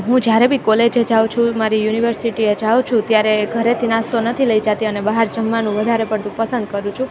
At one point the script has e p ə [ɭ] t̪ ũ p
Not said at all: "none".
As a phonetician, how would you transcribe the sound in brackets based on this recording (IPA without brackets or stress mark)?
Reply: ɽ